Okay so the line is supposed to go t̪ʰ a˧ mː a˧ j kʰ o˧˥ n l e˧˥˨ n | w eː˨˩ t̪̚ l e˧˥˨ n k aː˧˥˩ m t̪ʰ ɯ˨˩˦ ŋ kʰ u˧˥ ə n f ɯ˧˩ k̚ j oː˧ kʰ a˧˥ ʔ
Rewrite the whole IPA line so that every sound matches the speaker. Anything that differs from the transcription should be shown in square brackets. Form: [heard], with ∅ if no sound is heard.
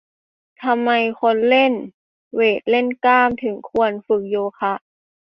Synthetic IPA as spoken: t̪ʰ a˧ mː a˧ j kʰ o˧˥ n l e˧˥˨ n | w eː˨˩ t̪̚ l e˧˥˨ n k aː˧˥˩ m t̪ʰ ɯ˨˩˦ ŋ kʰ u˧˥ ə n f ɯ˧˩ k̚ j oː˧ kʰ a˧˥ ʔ